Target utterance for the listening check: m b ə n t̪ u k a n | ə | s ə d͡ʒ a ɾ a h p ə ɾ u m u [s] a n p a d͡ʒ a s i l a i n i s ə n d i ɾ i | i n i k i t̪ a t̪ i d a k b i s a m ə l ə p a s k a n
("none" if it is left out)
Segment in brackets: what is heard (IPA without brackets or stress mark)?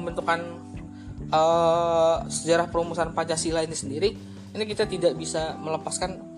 s